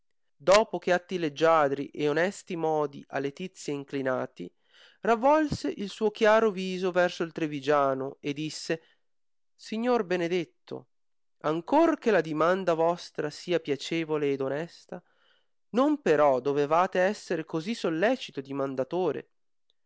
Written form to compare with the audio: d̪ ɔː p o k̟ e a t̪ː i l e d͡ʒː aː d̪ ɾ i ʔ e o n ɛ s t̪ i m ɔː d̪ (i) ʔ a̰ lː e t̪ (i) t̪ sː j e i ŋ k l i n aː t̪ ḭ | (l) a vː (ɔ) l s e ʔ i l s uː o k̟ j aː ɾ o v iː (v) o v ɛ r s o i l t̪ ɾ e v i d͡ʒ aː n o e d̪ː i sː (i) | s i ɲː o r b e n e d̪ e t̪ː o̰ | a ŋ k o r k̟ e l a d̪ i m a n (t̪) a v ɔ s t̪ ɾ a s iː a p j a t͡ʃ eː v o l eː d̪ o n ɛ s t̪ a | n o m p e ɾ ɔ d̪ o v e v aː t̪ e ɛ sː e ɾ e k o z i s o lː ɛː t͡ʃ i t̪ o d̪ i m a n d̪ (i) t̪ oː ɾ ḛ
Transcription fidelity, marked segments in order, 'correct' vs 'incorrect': correct, correct, incorrect: r, correct, incorrect: z, incorrect: e, incorrect: d̪, incorrect: a

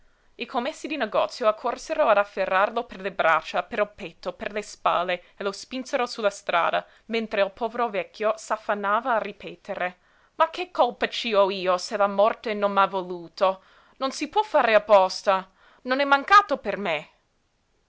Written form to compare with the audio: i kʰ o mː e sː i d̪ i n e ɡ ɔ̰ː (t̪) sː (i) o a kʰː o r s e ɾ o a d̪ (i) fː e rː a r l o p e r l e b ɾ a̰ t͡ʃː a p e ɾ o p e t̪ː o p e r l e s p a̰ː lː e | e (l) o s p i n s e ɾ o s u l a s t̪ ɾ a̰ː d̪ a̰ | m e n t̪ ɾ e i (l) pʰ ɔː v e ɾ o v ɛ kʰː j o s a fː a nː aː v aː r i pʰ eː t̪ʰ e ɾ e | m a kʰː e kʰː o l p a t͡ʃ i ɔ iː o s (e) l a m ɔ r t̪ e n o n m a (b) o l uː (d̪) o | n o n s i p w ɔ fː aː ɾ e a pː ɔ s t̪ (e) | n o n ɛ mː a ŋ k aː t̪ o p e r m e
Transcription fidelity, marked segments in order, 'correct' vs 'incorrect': correct, incorrect: j, incorrect: a, correct, correct, correct, incorrect: v, incorrect: t̪, incorrect: a

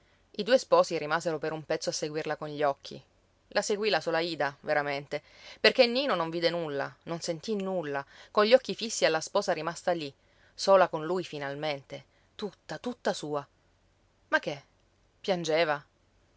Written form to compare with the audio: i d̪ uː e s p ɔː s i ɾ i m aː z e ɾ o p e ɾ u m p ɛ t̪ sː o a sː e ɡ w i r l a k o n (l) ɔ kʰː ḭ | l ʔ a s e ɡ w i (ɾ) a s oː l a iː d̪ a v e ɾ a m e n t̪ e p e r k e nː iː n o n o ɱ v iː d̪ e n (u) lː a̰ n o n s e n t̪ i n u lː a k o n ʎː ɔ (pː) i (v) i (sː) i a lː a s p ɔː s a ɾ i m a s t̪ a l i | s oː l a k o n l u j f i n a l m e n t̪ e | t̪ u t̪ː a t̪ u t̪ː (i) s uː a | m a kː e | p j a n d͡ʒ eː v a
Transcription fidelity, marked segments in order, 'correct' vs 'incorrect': incorrect: ʎ, incorrect: l, correct, incorrect: kː, incorrect: f, correct, incorrect: a

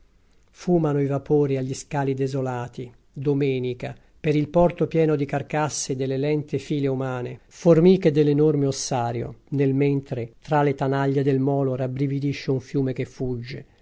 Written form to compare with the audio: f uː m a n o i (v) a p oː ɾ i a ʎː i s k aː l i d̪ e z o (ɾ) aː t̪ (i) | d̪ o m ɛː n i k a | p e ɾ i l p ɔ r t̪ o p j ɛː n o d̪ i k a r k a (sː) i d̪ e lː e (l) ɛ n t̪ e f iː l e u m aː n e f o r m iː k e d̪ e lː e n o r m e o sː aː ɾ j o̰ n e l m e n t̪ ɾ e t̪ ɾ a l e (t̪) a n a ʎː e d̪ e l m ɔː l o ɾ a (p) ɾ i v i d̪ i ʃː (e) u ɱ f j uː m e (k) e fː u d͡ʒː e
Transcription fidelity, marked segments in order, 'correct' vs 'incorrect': correct, incorrect: l, correct, correct, correct, correct, incorrect: b, correct, correct

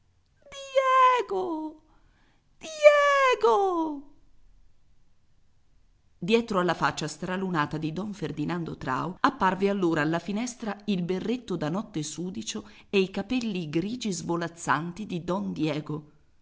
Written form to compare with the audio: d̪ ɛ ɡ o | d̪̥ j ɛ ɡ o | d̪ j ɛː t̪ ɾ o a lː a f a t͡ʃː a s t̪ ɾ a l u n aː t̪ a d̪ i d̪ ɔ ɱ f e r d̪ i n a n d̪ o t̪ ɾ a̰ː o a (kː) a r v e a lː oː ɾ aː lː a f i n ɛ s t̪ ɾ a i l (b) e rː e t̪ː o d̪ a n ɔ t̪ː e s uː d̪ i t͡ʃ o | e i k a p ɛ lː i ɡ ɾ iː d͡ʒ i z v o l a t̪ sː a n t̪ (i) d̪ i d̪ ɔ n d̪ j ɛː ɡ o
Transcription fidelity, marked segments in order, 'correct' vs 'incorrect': incorrect: pː, correct, correct

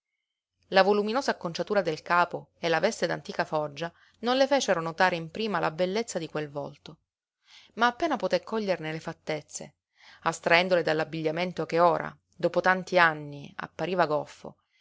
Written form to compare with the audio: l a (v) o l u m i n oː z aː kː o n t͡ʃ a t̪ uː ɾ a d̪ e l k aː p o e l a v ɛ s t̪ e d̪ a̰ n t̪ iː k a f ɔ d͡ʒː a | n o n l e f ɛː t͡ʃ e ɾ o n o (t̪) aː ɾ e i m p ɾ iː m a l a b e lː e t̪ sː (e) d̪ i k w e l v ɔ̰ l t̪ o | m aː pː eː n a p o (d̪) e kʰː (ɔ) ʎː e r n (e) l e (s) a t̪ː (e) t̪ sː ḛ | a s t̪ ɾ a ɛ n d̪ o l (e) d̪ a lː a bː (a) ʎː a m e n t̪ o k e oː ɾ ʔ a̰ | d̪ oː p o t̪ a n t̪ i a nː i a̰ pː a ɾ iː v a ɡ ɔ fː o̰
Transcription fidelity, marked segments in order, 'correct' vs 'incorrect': correct, correct, incorrect: a, incorrect: t̪, correct, correct, incorrect: f, correct, correct, incorrect: i

